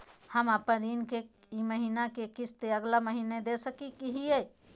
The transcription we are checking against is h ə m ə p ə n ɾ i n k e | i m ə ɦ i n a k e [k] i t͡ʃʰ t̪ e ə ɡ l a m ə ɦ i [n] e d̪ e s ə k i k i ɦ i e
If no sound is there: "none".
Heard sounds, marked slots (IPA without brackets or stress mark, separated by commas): k, n